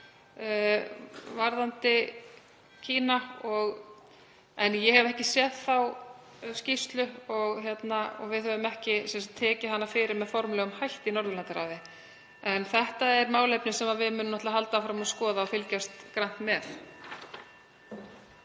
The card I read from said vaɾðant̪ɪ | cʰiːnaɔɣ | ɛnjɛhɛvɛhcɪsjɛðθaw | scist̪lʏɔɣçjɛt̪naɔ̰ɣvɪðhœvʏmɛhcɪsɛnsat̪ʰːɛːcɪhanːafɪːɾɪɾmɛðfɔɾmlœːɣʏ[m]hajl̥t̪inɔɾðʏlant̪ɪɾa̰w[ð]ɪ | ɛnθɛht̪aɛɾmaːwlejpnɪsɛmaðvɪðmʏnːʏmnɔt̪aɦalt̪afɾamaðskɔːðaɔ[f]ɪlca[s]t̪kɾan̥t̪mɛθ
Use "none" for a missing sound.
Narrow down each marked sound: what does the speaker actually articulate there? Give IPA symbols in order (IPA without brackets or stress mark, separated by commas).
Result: m, ð, f, s